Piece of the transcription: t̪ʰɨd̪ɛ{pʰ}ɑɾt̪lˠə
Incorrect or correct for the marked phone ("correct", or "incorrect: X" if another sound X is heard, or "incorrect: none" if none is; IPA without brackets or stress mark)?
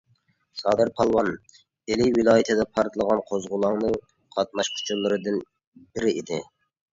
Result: correct